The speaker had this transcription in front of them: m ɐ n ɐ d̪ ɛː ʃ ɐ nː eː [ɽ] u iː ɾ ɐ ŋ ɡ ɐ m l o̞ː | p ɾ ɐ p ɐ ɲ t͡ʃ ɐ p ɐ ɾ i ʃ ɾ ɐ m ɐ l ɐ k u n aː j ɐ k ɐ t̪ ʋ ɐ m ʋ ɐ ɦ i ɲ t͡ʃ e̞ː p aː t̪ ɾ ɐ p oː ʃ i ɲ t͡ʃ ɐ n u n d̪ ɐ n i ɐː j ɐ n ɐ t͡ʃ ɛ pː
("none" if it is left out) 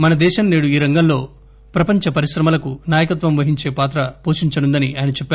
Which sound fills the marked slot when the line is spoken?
ɽ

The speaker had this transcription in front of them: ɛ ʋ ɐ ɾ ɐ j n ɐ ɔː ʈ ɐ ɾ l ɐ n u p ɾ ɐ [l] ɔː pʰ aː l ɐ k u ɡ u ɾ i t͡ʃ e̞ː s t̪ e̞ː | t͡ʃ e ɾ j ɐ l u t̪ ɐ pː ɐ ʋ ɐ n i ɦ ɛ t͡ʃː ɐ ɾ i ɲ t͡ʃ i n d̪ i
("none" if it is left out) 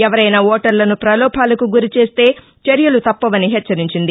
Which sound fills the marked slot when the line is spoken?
l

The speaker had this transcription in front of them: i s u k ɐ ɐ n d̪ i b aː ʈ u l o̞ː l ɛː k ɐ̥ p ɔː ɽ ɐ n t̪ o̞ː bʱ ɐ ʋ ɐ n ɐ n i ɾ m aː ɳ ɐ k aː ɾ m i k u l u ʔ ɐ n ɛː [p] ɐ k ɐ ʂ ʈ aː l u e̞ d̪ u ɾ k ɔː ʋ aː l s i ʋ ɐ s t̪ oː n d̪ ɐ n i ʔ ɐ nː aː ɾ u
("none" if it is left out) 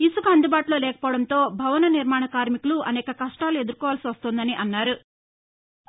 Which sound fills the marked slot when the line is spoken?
k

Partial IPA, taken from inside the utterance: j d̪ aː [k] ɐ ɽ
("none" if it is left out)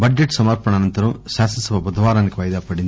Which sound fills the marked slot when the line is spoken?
p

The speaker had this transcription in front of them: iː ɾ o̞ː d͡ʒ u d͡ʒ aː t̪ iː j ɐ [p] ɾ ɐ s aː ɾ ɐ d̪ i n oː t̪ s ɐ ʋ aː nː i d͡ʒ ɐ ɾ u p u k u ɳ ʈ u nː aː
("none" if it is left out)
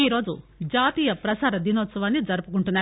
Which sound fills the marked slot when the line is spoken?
p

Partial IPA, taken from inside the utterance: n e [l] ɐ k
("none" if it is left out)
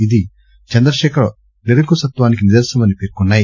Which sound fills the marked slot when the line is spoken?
ɾ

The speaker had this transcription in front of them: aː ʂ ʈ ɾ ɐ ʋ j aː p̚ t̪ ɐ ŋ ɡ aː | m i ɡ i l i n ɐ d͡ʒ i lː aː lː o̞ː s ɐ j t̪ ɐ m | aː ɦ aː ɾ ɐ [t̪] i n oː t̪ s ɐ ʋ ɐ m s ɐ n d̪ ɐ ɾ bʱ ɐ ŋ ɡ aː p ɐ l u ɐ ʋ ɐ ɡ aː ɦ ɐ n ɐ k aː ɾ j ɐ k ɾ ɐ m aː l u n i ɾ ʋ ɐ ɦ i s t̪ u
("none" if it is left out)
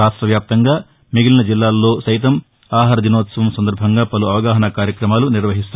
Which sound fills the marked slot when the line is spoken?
d̪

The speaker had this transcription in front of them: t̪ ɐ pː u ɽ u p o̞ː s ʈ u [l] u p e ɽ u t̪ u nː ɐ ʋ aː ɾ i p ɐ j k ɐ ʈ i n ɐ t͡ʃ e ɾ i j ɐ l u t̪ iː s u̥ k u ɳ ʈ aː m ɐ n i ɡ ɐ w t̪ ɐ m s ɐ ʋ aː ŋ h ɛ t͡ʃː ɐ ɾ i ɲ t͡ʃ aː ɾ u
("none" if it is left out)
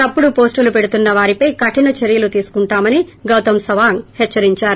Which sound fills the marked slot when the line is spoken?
l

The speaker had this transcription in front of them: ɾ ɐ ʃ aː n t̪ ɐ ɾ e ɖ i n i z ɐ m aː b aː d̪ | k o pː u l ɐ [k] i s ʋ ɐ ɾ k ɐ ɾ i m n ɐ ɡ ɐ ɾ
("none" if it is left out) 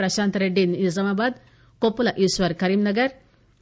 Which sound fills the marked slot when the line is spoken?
ʔ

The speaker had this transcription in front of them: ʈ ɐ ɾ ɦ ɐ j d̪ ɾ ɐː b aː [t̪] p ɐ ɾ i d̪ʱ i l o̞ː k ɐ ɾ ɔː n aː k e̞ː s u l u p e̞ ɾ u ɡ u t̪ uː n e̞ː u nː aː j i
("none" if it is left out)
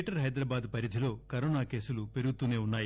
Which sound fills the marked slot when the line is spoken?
d̪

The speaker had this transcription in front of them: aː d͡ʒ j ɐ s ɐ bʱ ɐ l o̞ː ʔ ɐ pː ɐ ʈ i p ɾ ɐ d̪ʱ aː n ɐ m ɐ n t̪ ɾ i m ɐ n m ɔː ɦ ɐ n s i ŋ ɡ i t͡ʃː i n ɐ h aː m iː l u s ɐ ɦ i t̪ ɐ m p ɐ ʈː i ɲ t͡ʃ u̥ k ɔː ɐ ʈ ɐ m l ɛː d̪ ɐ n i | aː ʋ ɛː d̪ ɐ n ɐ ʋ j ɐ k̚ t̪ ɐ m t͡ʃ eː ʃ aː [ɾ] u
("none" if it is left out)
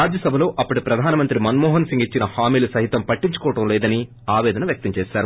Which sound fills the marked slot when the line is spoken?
ɾ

